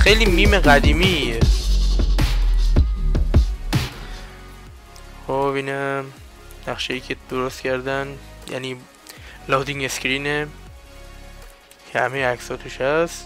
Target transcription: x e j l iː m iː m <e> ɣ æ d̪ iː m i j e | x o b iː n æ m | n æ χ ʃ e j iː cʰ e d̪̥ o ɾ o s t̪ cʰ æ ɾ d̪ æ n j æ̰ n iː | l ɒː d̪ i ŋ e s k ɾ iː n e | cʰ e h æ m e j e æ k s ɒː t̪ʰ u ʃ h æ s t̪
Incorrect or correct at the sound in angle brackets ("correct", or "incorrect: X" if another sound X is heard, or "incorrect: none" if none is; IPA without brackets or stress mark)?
correct